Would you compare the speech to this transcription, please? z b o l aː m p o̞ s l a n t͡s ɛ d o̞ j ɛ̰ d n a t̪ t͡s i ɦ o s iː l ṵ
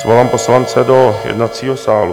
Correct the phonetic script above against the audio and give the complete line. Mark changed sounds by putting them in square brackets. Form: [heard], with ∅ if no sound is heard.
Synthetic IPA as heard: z [v] o l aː m p o̞ s l a n t͡s ɛ d o̞ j ɛ̰ d n a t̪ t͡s [iː] ɦ o s [aː] l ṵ

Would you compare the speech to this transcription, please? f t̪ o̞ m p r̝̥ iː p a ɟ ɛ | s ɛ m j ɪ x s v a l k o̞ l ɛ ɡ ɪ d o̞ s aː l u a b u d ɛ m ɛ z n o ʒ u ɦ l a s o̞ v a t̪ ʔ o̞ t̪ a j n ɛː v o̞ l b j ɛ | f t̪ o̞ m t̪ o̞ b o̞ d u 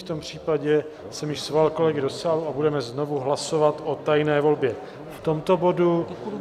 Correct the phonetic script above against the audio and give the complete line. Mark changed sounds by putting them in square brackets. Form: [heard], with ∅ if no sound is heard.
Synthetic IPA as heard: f t̪ o̞ m p r̝̥ iː p a ɟ ɛ | s ɛ m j ɪ [ʃ] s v a l k o̞ l ɛ ɡ ɪ d o̞ s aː l u a b u d ɛ m ɛ z n o [v] u ɦ l a s o̞ v a t̪ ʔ o̞ t̪ a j n ɛː v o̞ l b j ɛ | f t̪ o̞ m t̪ o̞ b o̞ d u

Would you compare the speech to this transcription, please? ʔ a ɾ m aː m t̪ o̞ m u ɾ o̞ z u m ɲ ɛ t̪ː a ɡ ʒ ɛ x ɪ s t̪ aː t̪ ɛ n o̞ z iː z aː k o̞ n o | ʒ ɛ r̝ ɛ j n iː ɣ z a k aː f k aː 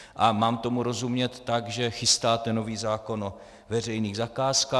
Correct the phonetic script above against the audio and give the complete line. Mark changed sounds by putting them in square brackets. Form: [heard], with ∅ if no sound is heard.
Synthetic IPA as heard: ʔ a [∅] m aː m t̪ o̞ m u ɾ o̞ z u m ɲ ɛ t̪ː a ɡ ʒ ɛ x ɪ s t̪ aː t̪ ɛ n o̞ [v] iː z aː k o̞ n o | [v] ɛ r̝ ɛ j n iː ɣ z a k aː [s] k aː

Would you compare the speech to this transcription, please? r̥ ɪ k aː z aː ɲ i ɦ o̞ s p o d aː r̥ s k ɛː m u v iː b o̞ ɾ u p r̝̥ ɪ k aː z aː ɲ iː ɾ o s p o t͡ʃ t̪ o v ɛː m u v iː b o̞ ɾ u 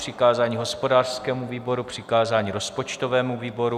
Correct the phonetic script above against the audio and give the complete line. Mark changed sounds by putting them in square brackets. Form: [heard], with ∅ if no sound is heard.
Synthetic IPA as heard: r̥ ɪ k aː z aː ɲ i ɦ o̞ s p o d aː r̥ s k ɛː m u v iː b o̞ ɾ u p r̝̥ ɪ k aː z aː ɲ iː ɾ o s p o t͡ʃ t̪ o v ɛː m u v iː b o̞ ɾ u

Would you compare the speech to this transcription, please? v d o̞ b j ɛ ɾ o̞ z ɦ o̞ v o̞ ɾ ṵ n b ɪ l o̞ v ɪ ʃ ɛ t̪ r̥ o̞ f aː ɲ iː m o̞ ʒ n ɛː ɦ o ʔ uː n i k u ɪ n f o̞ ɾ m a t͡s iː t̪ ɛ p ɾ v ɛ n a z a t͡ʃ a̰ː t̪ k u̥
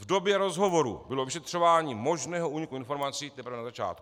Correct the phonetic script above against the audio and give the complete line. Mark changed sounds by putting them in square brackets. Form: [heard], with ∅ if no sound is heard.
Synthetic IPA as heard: v d o̞ b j ɛ ɾ o̞ z ɦ o̞ v o̞ ɾ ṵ [∅] b ɪ l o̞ v ɪ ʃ ɛ t̪ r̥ o̞ [v] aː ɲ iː m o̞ ʒ n ɛː ɦ o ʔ uː [ɲ] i k u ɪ n f o̞ ɾ m a t͡s iː t̪ ɛ p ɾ v ɛ n a z a t͡ʃ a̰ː t̪ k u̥

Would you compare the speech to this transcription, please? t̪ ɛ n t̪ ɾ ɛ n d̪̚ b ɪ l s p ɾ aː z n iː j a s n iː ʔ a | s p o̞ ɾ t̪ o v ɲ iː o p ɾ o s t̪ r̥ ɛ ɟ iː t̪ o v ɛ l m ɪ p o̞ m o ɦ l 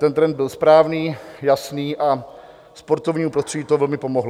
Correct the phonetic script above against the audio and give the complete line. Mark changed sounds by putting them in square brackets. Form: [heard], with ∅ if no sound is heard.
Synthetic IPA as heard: t̪ ɛ n t̪ ɾ ɛ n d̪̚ b ɪ l s p ɾ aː [v] n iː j a s n iː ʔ a | s p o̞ ɾ t̪ o v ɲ iː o p ɾ o s t̪ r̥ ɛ ɟ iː t̪ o v ɛ l m ɪ p o̞ m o ɦ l

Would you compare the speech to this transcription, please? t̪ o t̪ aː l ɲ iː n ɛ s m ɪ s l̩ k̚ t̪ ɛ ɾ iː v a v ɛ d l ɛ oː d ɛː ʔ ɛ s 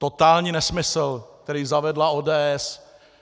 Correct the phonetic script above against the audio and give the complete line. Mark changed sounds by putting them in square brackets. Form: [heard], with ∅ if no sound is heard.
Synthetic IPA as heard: t̪ o t̪ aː l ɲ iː n ɛ s m ɪ s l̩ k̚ t̪ ɛ ɾ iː [z] a v ɛ d l [a] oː d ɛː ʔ ɛ s

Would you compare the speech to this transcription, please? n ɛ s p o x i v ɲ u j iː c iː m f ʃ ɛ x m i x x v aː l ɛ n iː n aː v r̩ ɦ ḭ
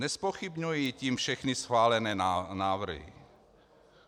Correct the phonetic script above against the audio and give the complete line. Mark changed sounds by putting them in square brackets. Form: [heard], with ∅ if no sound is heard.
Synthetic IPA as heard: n ɛ s p o x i [b] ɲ u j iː c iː m f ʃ ɛ x [n] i [s] x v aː l ɛ n [ɛː] n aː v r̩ ɦ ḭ

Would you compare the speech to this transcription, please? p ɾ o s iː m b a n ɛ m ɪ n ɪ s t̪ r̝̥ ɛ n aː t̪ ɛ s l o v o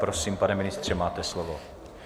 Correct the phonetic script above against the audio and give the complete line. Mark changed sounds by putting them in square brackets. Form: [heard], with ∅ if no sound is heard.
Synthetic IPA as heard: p ɾ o s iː m [p] a n ɛ m ɪ n ɪ s t̪ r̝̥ ɛ [m] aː t̪ ɛ s l o v o

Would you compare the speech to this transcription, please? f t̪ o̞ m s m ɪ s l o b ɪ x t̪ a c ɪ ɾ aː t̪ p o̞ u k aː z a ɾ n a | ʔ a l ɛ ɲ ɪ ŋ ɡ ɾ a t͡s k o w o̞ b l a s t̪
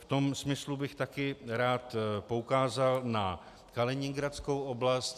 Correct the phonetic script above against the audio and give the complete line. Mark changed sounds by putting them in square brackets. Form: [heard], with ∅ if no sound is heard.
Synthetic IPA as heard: f t̪ o̞ m s m ɪ s l [u] b ɪ x t̪ a [k] ɪ ɾ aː t̪ p o̞ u k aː z a [l] n a | [k] a l ɛ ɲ ɪ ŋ ɡ ɾ a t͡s k o w o̞ b l a s t̪

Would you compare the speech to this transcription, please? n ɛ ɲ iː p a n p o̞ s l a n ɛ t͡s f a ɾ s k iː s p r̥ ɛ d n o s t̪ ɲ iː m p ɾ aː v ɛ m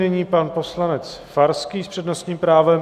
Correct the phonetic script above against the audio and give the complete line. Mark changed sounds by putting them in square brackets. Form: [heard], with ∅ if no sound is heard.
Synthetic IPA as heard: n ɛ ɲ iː p a n p o̞ s l a n ɛ t͡s f a ɾ s k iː s p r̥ ɛ d n o s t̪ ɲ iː m p ɾ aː v ɛ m

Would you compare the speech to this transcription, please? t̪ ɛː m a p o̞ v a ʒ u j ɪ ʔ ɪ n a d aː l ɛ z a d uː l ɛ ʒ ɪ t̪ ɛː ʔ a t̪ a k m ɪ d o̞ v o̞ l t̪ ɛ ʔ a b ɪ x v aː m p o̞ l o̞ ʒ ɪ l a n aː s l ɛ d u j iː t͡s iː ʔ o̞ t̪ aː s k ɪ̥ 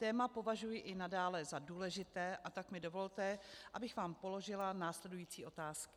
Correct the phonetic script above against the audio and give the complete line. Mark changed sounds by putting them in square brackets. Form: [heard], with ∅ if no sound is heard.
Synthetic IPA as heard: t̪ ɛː m a p o̞ v a ʒ u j ɪ ʔ ɪ n a d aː l ɛ z a d uː l ɛ ʒ ɪ t̪ ɛː ʔ a t̪ a k m ɪ d o̞ v o̞ l t̪ ɛ ʔ a b ɪ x v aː m p o̞ l o̞ ʒ ɪ l a n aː s l ɛ d u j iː t͡s iː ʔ o̞ t̪ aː s k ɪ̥

